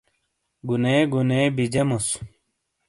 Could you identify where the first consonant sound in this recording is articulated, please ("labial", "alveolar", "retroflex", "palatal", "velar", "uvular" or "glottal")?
velar